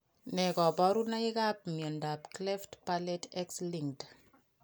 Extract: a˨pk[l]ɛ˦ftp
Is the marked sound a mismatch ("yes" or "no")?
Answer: no